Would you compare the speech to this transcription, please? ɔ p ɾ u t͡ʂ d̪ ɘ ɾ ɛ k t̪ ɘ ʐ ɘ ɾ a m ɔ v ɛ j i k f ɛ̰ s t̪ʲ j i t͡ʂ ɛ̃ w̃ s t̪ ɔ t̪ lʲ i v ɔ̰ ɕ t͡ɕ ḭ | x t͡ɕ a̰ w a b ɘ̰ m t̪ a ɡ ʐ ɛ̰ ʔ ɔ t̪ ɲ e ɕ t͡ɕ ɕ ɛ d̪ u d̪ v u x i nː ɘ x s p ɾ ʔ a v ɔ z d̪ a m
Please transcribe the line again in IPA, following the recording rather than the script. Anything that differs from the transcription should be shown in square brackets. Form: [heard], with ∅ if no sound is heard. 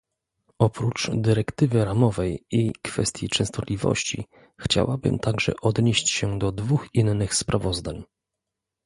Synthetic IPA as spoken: ɔ p ɾ u t͡ʂ d̪ ɘ ɾ ɛ k t̪ ɘ [v] ɘ ɾ a m ɔ v ɛ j i k f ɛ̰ s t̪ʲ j i t͡ʂ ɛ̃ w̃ s t̪ ɔ t̪ lʲ i v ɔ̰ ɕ t͡ɕ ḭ | x t͡ɕ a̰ w a b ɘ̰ m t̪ a ɡ ʐ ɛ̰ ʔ ɔ [d̪] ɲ e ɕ t͡ɕ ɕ ɛ d̪ [ɔ] d̪ v u x i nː ɘ x s p ɾ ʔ a v ɔ z d̪ a [ɲ]